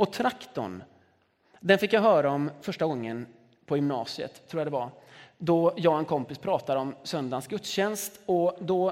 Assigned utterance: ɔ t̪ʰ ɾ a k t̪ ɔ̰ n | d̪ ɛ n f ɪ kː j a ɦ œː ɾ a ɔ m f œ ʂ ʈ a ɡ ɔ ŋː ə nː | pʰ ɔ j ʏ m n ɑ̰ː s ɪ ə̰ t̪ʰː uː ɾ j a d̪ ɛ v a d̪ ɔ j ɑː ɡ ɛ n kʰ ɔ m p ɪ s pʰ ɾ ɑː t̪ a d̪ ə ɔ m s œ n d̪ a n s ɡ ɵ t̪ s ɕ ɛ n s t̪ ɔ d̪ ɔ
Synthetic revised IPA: ɔ t̪ʰ ɾ a k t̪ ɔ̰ n | d̪ ɛ n f ɪ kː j a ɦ œː ɾ a ɔ m f œ ʂ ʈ a ɡ ɔ ŋː ə n | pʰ ɔ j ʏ m n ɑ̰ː s ɪ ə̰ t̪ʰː uː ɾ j a d̪ ɛ v a d̪ ɔ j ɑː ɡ ɛ n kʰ ɔ m p ɪ s pʰ ɾ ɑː t̪ a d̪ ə ɔ m s œ n d̪ a n s ɡ ɵ t̪ s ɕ ɛ n s t̪ ɔ d̪ ɔ